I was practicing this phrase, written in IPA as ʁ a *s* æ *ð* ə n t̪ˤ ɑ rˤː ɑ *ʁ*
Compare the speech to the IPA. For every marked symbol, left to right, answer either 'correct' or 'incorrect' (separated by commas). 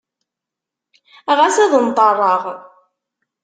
correct, correct, correct